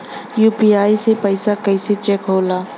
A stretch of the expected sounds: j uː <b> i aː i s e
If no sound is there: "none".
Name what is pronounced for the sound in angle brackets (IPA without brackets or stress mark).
p